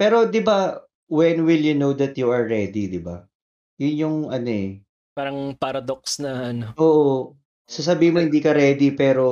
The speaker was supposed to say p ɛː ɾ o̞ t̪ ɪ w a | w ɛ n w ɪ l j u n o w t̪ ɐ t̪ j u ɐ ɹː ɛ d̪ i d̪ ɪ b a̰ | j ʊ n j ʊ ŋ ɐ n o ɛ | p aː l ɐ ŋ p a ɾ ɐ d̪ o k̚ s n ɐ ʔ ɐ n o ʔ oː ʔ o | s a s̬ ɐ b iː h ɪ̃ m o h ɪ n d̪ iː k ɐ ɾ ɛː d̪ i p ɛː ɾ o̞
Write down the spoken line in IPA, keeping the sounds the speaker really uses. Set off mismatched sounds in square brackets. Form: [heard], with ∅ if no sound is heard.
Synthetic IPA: p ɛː ɾ o̞ [d̪] ɪ [b] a | w ɛ n w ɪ l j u n o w [d̪] ɐ t̪ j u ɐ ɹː ɛ d̪ i d̪ ɪ b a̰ | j ʊ n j ʊ ŋ ɐ n o ɛ | p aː [ɾ] ɐ ŋ p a ɾ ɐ d̪ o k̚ s n ɐ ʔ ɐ n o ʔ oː ʔ o | s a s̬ ɐ b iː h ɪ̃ m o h ɪ n d̪ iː k ɐ ɾ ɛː d̪ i p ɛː ɾ o̞